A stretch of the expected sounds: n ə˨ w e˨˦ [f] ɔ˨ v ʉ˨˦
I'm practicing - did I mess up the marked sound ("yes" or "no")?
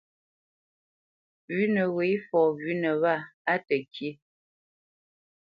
no